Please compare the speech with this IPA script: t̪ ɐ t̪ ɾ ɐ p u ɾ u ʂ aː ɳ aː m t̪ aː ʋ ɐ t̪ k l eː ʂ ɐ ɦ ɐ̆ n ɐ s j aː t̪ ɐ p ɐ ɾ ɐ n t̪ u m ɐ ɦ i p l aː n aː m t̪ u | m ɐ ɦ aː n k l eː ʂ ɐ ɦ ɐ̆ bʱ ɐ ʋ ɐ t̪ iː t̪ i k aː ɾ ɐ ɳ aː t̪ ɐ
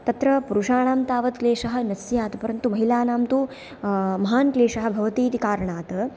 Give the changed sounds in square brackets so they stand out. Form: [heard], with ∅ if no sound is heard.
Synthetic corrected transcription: t̪ ɐ t̪ ɾ ɐ p u ɾ u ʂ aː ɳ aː m t̪ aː ʋ ɐ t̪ k l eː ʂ ɐ ɦ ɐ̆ n ɐ s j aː t̪ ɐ p ɐ ɾ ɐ n t̪ u m ɐ ɦ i [∅] l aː n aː m t̪ u | m ɐ ɦ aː n k l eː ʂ ɐ ɦ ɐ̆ bʱ ɐ ʋ ɐ t̪ iː t̪ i k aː ɾ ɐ ɳ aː t̪ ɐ

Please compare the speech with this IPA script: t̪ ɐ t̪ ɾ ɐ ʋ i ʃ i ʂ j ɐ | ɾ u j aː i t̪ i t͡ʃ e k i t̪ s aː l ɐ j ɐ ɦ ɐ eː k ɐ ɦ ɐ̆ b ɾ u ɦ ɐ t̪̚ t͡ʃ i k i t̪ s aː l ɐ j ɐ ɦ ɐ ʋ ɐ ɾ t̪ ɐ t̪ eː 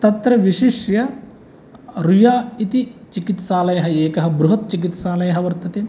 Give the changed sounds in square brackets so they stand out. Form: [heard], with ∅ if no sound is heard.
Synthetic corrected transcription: t̪ ɐ t̪ ɾ ɐ ʋ i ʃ i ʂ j ɐ | ɾ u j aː i t̪ i t͡ʃ [i] k i t̪ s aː l ɐ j ɐ ɦ ɐ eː k ɐ ɦ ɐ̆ b ɾ u ɦ ɐ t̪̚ t͡ʃ i k i t̪ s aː l ɐ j ɐ ɦ ɐ ʋ ɐ ɾ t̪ ɐ t̪ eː

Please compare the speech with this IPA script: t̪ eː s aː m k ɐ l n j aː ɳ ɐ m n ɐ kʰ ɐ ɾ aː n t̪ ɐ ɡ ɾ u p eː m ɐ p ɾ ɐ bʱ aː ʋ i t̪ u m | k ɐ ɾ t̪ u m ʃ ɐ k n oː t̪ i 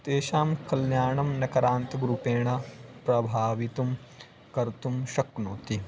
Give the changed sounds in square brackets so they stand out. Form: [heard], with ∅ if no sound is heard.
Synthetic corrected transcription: t̪ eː [ʃ] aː m k ɐ l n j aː ɳ ɐ m n ɐ [k] ɐ ɾ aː n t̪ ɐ ɡ ɾ u p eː [ɳ] ɐ p ɾ ɐ bʱ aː ʋ i t̪ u m | k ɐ ɾ t̪ u m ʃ ɐ k n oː t̪ i

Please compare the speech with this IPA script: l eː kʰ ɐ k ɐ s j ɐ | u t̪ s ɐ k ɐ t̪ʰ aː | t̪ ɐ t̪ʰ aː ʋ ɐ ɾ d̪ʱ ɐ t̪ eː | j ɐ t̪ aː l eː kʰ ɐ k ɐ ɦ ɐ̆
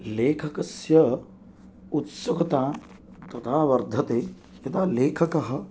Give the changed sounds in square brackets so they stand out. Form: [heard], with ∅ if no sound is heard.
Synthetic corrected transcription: l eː kʰ ɐ k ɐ s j ɐ | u t̪ s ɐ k ɐ [t̪] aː | t̪ ɐ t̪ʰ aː ʋ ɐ ɾ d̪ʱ ɐ t̪ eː | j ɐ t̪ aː l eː kʰ ɐ k ɐ ɦ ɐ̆

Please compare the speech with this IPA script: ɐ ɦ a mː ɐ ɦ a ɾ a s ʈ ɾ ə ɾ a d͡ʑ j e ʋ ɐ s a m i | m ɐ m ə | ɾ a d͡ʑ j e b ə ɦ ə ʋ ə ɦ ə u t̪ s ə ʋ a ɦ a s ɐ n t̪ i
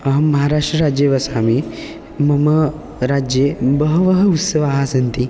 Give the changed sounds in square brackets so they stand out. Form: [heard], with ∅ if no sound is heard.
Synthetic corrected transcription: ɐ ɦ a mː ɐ ɦ a ɾ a [ʂ] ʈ ɾ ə ɾ a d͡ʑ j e ʋ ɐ s a m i | m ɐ m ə | ɾ a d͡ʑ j e b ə ɦ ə ʋ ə ɦ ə u t̪ s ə ʋ a ɦ a s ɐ n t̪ i

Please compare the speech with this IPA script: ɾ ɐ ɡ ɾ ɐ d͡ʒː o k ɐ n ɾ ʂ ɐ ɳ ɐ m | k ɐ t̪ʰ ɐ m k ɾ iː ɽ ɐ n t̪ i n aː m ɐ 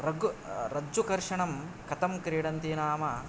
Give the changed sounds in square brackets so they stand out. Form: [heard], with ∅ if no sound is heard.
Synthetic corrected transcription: ɾ ɐ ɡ ɾ ɐ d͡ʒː [u] k ɐ [∅] ɾ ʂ ɐ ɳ ɐ m | k ɐ [t̪] ɐ m k ɾ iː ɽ ɐ n t̪ i n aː m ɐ

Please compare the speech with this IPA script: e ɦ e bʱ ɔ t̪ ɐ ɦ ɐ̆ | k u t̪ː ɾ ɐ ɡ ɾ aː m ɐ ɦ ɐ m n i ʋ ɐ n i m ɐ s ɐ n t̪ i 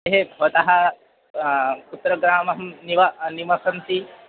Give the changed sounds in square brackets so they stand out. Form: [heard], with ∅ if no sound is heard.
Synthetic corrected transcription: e ɦ e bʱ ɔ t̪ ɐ ɦ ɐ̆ | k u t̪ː ɾ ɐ ɡ ɾ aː m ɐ ɦ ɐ m n i ʋ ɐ n i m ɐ s ɐ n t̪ i

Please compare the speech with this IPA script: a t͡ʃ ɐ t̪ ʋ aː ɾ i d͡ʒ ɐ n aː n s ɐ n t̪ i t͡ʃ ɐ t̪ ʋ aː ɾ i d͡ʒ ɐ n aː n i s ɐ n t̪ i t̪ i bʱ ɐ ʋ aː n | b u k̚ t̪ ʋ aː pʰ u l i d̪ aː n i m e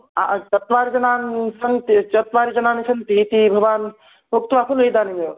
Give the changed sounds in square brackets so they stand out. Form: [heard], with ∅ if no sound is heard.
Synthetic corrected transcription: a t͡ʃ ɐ t̪ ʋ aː ɾ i d͡ʒ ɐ n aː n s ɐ n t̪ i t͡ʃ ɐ t̪ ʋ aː ɾ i d͡ʒ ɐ n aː n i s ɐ n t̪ i t̪ i bʱ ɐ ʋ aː n | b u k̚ t̪ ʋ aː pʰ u l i d̪ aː n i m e

